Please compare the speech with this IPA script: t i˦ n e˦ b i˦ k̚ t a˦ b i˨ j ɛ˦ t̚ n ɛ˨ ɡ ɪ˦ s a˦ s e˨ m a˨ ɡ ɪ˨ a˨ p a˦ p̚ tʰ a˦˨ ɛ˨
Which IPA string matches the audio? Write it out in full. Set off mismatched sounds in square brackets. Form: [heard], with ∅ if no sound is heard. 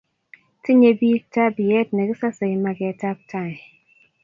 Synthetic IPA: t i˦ [ɲ] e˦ b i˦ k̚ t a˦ b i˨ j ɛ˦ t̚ n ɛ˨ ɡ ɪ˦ s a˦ s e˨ m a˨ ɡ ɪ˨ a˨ [t] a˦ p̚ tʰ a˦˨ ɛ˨